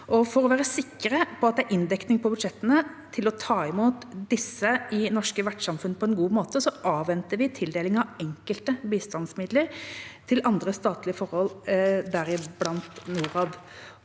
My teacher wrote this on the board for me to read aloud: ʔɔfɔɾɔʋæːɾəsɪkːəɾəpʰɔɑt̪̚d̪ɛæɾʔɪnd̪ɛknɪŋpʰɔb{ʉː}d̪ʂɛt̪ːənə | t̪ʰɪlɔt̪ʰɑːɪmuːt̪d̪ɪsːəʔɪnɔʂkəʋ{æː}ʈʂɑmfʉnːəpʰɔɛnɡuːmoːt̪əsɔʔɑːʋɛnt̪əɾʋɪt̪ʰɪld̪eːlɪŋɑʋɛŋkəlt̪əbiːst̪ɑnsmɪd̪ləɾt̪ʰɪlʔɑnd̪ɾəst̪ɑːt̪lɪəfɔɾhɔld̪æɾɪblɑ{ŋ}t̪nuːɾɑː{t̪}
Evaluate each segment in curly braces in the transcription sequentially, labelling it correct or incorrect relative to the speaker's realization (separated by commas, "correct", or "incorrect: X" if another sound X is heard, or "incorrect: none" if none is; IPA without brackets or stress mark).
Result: incorrect: ʉ, incorrect: æ, incorrect: n, incorrect: d̪